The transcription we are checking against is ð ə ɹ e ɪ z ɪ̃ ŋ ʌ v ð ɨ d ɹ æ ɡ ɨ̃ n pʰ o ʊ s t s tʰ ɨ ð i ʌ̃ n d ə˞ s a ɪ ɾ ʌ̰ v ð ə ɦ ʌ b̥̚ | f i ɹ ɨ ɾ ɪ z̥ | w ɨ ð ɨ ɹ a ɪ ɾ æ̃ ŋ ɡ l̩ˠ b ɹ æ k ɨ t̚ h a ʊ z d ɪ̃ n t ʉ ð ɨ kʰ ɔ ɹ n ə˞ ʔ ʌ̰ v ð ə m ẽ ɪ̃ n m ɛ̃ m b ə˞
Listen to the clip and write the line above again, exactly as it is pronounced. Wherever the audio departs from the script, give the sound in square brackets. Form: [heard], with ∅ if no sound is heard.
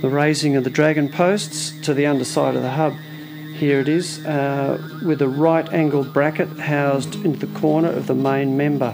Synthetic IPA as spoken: ð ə ɹ e ɪ z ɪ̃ ŋ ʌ v ð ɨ d ɹ æ ɡ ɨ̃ n pʰ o ʊ s t s tʰ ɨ ð i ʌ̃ n d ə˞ s a ɪ ɾ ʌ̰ v ð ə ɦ ʌ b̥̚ | [h] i ɹ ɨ ɾ ɪ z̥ | w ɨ ð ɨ ɹ a ɪ ɾ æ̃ ŋ ɡ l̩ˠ b ɹ æ k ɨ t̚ h a ʊ z d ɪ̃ n t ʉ ð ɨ kʰ ɔ ɹ n ə˞ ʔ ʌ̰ v ð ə m ẽ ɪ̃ n m ɛ̃ m b ə˞